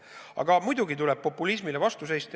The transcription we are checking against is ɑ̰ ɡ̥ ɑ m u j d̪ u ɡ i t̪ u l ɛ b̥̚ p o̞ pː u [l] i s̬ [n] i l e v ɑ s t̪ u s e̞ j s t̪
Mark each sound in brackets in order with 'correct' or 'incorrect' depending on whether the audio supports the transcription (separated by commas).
correct, incorrect